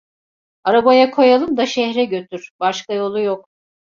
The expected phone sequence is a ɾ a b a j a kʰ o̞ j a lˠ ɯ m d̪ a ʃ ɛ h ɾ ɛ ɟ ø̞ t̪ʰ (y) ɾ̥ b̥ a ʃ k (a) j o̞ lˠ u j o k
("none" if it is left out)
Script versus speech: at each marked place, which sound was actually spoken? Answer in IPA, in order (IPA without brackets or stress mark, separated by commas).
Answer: y, a